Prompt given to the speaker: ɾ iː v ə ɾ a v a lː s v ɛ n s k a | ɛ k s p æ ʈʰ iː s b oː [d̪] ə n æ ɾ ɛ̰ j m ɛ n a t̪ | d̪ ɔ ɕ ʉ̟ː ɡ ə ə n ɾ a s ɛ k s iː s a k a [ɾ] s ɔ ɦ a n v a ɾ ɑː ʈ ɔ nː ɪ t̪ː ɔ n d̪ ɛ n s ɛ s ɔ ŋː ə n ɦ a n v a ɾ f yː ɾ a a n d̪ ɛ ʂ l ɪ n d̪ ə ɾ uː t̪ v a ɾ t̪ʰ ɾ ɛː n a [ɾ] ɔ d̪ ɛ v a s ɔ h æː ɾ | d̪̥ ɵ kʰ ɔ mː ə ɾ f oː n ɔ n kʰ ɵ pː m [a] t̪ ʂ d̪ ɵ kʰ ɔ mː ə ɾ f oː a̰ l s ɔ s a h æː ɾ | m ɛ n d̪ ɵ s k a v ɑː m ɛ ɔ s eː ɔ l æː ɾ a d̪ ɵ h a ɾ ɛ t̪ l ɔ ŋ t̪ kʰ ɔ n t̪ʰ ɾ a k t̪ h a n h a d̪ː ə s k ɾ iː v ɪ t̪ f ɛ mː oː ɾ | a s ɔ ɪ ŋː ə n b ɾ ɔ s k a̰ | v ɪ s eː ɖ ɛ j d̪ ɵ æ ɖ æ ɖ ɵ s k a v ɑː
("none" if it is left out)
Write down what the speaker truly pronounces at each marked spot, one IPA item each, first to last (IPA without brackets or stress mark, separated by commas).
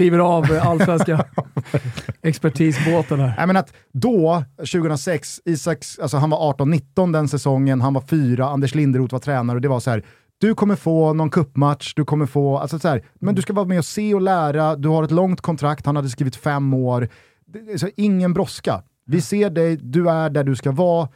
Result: t̪, l, ɾ, a